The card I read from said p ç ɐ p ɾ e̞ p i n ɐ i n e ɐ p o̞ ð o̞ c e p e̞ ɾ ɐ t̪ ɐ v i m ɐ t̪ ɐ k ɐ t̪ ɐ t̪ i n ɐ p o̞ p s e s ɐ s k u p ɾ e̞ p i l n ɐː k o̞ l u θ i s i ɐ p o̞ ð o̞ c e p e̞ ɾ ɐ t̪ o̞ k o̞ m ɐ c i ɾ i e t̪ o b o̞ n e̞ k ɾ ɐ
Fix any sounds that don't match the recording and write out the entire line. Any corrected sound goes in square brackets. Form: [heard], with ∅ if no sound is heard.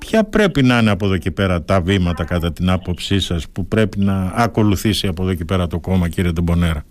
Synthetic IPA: p ç ɐ p ɾ e̞ p i n ɐ i n e ɐ p o̞ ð o̞ c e p e̞ ɾ ɐ t̪ ɐ v i m ɐ t̪ ɐ k ɐ t̪ ɐ t̪ i n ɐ p o̞ p s [i] s ɐ s [p] u p ɾ e̞ p i [∅] n ɐː k o̞ l u θ i s i ɐ p o̞ ð o̞ c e p e̞ ɾ ɐ t̪ o̞ k o̞ m ɐ c i ɾ i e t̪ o b o̞ n e̞ [∅] ɾ ɐ